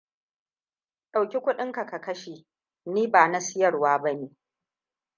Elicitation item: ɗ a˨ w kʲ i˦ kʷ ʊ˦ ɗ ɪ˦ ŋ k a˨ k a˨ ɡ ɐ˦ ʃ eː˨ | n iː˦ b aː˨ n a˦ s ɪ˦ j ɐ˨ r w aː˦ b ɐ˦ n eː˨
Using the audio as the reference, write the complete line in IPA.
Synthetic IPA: ɗ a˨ w kʲ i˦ kʷ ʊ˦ ɗ ɪ˦ ŋ k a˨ k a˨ k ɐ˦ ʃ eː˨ | n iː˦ b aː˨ n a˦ s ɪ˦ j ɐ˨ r w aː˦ b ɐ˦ n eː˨